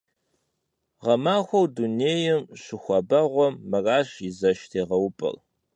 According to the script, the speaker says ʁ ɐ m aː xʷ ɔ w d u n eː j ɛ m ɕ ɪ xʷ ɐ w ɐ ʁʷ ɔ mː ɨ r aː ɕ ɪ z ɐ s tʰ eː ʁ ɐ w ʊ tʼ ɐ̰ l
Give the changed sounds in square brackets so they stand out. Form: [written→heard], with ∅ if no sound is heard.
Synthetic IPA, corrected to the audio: ʁ ɐ m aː xʷ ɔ w d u n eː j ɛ m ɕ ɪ xʷ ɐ [w→b] ɐ ʁʷ ɔ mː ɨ r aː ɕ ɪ z ɐ [s→ʃ] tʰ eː ʁ ɐ w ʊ [tʼ→pʼ] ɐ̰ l